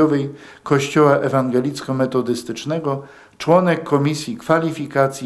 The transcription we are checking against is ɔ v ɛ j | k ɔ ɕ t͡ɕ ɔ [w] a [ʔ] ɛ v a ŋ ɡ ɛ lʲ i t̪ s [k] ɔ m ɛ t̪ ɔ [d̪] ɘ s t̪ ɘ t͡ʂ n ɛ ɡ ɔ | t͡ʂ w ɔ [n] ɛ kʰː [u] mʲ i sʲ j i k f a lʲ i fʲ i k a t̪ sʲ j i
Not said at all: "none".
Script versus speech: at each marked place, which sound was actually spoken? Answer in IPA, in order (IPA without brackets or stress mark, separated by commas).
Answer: w, ʔ, k, d̪, n, ɔ